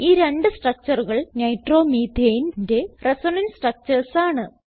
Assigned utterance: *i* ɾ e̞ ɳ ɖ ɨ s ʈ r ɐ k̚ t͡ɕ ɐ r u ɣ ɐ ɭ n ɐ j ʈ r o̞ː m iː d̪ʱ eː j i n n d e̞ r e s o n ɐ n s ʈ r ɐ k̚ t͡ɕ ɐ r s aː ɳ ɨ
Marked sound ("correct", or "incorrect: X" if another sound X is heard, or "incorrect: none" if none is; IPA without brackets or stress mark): incorrect: iː